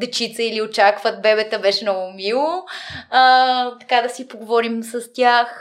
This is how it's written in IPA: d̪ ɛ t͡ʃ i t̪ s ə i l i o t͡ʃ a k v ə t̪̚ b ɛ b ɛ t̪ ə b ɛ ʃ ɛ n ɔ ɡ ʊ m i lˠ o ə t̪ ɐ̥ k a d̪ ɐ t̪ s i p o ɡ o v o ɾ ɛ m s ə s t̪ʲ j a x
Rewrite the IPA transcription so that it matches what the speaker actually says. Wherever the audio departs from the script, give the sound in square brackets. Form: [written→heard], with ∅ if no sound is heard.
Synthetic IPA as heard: d̪ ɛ t͡ʃ i t̪ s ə i l i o t͡ʃ a k v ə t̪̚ b ɛ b ɛ t̪ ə b ɛ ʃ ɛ n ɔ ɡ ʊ m i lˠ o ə t̪ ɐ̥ k a d̪ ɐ [t̪→∅] s i p o ɡ o v [o→ɔ] ɾ [ɛ→i] m s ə s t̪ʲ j a x